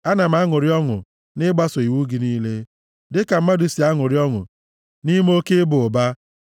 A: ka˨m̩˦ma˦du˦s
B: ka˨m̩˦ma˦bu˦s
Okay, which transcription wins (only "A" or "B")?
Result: A